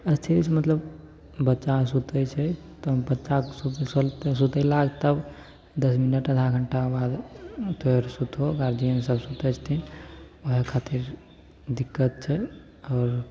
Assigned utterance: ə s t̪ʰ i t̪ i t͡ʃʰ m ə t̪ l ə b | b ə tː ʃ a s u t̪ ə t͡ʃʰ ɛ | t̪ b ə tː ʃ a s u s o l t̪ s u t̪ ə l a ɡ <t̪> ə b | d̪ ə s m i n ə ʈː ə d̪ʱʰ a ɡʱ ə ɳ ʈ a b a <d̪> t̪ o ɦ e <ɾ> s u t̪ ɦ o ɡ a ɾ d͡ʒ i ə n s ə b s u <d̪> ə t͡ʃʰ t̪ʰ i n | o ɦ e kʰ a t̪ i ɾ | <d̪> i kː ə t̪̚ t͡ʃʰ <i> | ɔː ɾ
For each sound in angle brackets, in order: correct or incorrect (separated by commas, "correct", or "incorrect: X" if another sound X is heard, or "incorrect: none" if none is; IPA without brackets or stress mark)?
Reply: correct, correct, correct, incorrect: t̪, correct, incorrect: ɛ